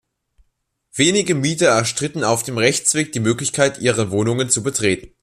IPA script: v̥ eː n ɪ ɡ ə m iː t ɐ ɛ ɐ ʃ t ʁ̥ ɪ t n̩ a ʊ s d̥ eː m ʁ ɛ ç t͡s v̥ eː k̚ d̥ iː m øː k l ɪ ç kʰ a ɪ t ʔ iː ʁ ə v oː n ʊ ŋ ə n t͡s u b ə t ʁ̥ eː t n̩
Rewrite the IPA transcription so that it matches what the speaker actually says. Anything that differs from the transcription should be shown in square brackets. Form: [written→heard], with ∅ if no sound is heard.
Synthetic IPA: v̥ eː n ɪ ɡ ə m iː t ɐ ɛ ɐ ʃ t ʁ̥ ɪ t n̩ a ʊ [s→f] d̥ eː m ʁ ɛ ç t͡s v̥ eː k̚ d̥ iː m øː k l ɪ ç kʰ a ɪ t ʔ iː ʁ ə v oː n ʊ ŋ ə n t͡s u b ə t ʁ̥ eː t n̩